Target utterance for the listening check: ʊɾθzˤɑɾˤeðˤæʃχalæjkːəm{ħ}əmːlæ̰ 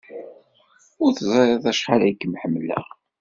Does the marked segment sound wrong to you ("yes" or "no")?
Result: no